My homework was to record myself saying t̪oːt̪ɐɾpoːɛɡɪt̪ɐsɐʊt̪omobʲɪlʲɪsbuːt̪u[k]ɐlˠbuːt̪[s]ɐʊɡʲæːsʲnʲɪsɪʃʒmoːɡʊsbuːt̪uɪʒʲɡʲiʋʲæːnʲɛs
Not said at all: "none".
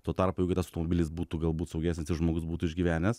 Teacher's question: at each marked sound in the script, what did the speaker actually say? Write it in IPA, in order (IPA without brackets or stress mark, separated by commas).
ɡ, s